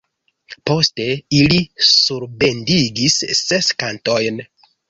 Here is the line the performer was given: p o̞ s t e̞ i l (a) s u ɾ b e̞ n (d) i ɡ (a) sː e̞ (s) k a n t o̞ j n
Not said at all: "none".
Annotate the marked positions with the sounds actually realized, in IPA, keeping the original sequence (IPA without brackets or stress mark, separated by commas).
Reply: i, d, i, s